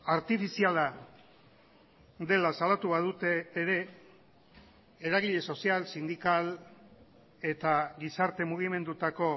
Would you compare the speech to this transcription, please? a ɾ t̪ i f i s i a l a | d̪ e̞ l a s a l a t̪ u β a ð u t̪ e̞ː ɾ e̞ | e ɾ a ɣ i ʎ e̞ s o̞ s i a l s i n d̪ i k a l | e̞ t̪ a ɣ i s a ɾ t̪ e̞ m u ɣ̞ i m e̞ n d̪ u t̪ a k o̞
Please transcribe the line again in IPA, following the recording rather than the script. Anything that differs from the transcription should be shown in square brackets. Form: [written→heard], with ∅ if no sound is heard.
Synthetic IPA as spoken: a ɾ t̪ i f i s i a l a | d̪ e̞ l a s a l a t̪ u β a ð u t̪ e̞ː ɾ e̞ | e ɾ a ɣ i ʎ e̞ s o̞ s i a l s i n d̪ i k a l | e̞ t̪ a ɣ i s a ɾ t̪ e̞ m u ɣ̞ i m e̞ n d̪ u t̪ a k o̞